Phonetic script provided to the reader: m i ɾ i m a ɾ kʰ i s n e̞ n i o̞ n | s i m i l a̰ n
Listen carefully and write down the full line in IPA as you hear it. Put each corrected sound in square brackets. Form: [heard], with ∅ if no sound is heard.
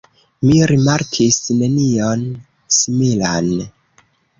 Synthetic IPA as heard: m i ɾ i m a ɾ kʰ i s n e̞ n i o̞ n | s i m i l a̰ n